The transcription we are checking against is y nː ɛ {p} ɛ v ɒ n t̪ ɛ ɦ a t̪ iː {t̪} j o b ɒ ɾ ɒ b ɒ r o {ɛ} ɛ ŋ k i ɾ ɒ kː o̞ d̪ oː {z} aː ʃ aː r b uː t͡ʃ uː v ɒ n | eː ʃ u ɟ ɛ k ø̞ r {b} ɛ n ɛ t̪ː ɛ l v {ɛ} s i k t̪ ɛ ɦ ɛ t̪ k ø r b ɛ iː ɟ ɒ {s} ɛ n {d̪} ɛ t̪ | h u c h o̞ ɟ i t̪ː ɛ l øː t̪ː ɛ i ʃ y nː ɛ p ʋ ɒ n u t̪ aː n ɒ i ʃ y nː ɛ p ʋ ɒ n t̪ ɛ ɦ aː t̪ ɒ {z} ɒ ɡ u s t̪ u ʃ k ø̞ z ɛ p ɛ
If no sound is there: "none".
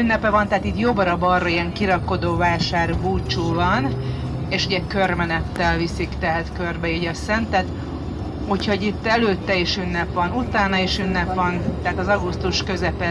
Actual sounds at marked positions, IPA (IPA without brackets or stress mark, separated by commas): p, t̪, i, v, m, i, s, t̪, z